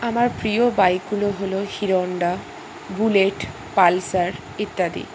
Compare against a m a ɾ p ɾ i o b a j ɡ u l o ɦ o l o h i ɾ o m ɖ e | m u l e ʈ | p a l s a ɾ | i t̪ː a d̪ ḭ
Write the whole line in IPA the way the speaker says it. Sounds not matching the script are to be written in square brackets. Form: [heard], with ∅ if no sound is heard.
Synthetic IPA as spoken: a m a ɾ p ɾ i o b a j ɡ u l o ɦ o l o h i ɾ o [ɳ] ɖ [a] | [b] u l e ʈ | p a l s a ɾ | i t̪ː a d̪ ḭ